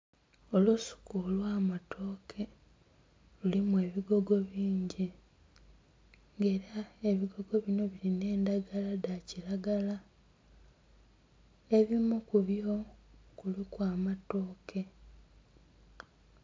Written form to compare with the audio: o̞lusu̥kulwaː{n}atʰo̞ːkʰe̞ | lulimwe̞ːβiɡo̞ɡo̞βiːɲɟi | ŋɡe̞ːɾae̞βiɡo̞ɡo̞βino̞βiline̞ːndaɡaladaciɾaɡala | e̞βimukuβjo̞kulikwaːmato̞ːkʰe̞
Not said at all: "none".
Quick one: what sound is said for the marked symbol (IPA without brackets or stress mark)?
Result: m